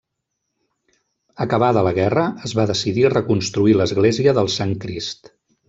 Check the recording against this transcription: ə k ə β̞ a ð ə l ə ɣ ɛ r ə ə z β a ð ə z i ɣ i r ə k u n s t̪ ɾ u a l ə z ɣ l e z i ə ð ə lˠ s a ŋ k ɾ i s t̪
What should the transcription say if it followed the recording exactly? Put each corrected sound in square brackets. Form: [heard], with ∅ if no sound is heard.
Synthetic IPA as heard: ə k ə β̞ a ð ə l ə ɣ ɛ r ə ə z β a ð ə [s] i [ð] i r ə k u n s t̪ ɾ u [i] l ə z ɣ l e z i ə ð ə lˠ s a ŋ k ɾ i s t̪